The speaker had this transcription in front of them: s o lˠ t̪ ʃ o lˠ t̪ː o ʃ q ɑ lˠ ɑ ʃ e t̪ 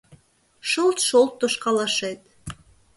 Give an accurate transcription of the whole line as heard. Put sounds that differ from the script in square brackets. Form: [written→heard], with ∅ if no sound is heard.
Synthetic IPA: [s→ʃ] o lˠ t̪ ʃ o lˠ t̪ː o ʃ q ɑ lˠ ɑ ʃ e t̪